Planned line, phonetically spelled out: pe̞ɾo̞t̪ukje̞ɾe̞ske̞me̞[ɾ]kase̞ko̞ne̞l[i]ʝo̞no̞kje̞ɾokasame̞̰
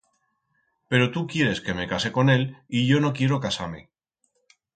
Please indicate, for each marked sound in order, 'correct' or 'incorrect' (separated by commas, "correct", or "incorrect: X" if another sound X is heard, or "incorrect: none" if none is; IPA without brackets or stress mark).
incorrect: none, correct